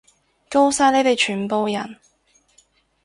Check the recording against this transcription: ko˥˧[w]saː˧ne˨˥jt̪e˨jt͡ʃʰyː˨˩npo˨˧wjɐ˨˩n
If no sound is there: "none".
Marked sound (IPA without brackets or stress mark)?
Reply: w